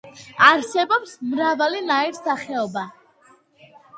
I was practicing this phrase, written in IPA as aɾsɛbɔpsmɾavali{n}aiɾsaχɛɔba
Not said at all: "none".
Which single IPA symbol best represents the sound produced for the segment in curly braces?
n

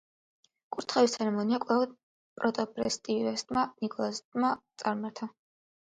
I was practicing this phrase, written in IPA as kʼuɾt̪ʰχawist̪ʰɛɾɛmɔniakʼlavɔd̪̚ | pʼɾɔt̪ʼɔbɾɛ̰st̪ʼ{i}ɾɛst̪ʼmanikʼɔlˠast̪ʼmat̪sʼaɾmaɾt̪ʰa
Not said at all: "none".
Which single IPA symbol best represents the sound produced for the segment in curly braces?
i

